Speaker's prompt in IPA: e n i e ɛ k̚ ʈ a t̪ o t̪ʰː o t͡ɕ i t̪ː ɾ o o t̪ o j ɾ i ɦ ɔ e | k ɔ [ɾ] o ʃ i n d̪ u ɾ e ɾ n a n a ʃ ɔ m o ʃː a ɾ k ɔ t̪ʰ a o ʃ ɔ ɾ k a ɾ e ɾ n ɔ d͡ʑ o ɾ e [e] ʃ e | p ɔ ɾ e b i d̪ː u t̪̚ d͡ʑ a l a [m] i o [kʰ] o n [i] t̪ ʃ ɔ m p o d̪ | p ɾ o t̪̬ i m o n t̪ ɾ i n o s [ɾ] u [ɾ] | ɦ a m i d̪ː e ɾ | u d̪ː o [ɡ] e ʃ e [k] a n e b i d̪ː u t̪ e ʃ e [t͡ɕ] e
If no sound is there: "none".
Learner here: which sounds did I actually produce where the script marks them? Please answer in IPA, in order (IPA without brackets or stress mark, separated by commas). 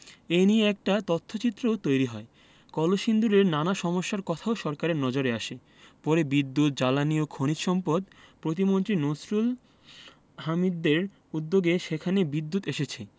l, a, n, kʰ, i, ɾ, l, ɡ, kʰ, t͡ɕʰ